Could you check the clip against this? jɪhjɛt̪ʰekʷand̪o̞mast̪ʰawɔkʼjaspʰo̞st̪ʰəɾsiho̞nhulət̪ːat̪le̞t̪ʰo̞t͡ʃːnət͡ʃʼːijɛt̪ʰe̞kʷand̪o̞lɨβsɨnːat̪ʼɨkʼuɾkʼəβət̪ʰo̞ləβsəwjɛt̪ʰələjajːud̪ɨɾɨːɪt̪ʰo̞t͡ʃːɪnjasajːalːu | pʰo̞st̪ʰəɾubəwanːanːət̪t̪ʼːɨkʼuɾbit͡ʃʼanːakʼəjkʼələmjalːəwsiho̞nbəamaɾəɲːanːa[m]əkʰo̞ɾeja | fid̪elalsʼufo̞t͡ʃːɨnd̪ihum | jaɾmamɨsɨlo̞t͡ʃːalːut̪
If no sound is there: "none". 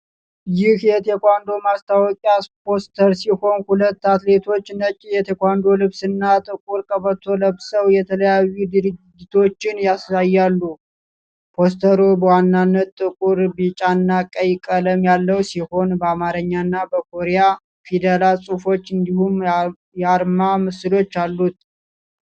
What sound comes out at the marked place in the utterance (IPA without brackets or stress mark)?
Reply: b